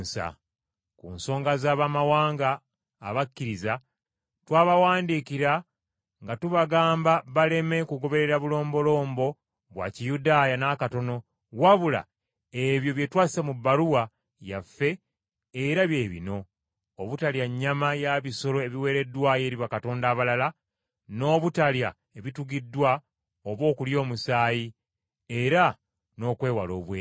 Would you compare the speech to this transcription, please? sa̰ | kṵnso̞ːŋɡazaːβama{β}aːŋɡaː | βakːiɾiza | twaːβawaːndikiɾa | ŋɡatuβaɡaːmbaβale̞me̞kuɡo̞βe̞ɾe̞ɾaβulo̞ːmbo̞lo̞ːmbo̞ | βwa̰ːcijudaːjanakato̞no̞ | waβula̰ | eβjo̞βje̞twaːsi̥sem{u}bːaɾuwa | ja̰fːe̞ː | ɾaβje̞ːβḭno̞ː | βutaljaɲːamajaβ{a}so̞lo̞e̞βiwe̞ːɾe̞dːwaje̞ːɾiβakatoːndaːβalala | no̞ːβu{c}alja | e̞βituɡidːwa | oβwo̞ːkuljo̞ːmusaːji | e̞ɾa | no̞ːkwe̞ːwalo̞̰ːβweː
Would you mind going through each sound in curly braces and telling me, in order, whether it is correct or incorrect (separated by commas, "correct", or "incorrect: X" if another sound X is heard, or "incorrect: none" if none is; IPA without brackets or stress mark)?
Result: incorrect: w, correct, incorrect: i, incorrect: t